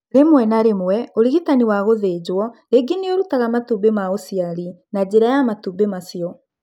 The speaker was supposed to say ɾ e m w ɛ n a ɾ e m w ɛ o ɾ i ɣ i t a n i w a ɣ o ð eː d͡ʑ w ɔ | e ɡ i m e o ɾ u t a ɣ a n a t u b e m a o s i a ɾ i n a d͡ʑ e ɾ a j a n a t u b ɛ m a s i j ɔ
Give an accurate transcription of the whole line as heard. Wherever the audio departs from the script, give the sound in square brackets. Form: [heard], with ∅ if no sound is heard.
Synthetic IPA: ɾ e m w ɛ n a ɾ e m w ɛ o ɾ i ɣ i t a n i w a ɣ o ð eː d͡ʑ w ɔ | e ɡ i [n] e o ɾ u t a ɣ a [m] a t u b e m a o s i a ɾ i n a d͡ʑ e ɾ a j a [m] a t u b [e] m a s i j ɔ